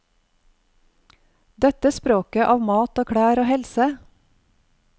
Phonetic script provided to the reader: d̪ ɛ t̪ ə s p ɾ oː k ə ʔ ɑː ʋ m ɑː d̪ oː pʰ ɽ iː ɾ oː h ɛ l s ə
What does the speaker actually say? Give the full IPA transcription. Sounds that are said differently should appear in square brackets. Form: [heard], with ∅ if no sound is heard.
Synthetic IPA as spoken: d̪ ɛ t̪ ə s p ɾ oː k ə ʔ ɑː ʋ m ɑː [t̪] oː [kʰ] ɽ [æː] ɾ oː h ɛ l s ə